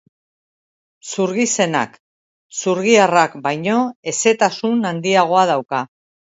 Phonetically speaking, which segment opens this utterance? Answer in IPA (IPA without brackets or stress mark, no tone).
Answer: s